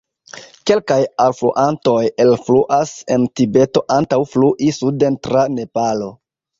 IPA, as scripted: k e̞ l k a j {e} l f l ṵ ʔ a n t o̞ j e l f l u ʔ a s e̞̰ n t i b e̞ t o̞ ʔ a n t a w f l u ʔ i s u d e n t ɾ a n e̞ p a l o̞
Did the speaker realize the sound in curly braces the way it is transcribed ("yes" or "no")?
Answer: no